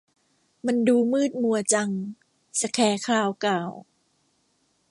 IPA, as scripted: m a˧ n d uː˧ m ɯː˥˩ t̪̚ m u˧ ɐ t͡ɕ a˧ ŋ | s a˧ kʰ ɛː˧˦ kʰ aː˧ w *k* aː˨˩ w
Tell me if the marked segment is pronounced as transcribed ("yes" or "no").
yes